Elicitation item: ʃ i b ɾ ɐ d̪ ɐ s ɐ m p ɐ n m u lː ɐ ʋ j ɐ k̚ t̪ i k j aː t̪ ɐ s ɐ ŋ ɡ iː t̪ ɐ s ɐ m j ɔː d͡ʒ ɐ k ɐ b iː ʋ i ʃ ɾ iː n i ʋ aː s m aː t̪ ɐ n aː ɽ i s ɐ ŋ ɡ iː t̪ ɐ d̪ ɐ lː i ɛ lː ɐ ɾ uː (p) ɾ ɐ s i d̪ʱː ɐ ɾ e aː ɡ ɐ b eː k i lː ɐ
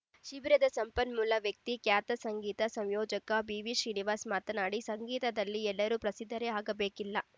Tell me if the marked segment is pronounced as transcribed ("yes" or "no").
yes